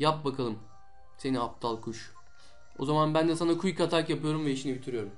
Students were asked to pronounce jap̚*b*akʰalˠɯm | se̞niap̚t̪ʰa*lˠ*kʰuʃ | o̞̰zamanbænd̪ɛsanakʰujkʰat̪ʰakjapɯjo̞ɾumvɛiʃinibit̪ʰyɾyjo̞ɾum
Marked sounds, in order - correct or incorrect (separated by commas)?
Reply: correct, correct